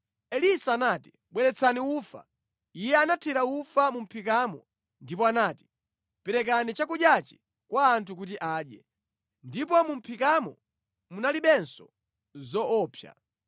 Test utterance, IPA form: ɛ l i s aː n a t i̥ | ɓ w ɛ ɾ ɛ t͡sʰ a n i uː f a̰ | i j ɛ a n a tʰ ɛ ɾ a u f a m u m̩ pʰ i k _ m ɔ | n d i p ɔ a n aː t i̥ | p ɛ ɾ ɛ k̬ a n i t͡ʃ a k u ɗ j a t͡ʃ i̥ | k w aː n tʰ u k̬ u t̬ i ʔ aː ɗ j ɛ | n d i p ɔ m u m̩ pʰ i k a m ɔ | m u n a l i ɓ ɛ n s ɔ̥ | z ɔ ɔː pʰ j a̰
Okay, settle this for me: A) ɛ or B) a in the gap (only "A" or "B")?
B